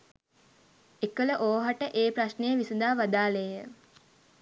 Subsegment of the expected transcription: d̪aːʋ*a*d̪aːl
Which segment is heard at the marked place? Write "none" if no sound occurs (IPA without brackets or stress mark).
a